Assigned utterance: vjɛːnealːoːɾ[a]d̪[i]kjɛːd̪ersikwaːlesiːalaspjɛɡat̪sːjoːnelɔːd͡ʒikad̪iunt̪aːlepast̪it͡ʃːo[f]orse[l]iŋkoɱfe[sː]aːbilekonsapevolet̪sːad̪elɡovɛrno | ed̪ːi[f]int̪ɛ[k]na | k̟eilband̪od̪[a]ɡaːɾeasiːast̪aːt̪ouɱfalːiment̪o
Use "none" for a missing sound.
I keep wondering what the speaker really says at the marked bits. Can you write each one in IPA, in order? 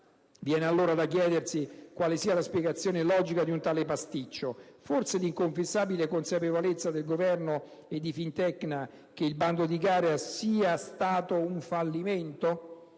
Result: a, a, f, l, sː, f, k, i

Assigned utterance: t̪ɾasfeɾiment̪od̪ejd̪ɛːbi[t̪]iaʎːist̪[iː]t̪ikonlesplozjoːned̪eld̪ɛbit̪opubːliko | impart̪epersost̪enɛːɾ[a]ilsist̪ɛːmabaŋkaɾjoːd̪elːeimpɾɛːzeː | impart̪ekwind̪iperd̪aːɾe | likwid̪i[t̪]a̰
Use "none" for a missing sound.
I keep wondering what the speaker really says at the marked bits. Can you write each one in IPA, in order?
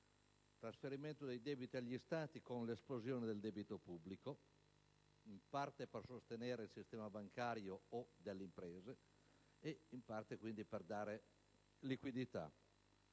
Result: t̪, aː, e, t̪

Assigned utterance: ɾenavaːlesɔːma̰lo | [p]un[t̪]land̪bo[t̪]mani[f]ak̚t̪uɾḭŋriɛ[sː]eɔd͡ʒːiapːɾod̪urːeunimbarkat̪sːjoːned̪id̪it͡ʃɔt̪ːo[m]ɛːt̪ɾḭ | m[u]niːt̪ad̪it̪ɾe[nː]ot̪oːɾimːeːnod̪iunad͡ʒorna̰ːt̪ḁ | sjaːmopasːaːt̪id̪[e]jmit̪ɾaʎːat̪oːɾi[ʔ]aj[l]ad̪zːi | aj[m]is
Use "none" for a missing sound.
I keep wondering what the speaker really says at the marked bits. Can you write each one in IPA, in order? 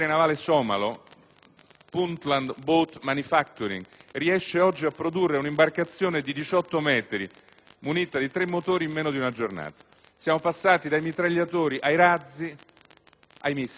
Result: p, t̪, t̪, f, ʃː, m, u, mː, a, ʔ, ɾ, m

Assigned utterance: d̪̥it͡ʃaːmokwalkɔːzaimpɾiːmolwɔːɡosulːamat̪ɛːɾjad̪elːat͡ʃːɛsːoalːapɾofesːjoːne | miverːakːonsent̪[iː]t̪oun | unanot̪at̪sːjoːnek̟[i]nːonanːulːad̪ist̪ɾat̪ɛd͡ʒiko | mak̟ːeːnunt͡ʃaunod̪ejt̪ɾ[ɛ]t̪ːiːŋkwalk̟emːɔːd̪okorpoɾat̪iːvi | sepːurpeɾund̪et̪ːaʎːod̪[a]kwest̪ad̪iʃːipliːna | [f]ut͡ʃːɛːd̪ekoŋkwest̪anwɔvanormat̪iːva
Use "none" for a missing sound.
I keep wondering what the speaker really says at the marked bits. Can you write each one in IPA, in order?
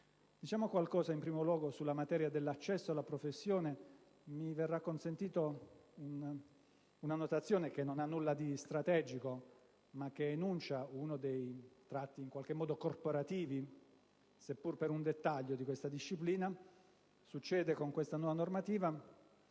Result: iː, e, a, i, s

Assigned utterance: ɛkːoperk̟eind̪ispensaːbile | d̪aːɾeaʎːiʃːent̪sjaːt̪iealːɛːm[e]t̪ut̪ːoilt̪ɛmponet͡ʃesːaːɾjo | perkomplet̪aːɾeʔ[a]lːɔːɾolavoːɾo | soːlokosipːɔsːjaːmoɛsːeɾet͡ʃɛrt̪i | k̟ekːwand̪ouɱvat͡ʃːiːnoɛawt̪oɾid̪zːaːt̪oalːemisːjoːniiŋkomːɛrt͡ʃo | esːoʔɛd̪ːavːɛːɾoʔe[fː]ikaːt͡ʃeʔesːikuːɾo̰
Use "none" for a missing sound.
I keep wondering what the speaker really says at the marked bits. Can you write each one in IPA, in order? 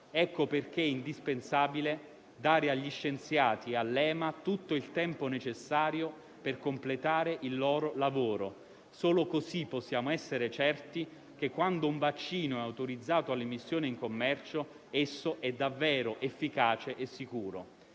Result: a, i, fː

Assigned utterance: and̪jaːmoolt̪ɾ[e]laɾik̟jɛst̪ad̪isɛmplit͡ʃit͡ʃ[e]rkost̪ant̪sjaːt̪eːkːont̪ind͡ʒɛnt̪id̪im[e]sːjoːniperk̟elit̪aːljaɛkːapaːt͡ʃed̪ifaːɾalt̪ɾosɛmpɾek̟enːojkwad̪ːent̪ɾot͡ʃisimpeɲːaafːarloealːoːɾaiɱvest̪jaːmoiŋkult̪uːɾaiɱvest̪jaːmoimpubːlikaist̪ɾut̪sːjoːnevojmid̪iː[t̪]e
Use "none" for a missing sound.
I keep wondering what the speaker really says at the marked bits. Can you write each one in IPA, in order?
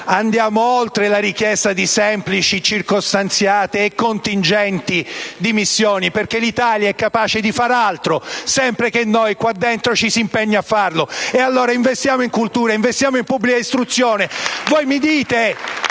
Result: e, i, i, t̪

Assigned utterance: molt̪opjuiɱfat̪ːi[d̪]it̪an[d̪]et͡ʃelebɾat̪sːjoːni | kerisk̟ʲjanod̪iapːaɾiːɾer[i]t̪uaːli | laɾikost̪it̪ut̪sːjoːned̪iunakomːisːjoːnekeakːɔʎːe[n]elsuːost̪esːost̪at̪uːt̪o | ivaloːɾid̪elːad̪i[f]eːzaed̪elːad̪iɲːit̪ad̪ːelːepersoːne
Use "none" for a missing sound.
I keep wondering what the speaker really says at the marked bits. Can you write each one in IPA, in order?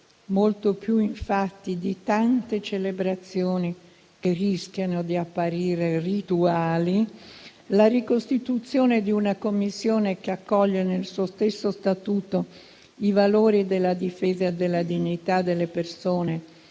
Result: d̪, t̪, i, n, f

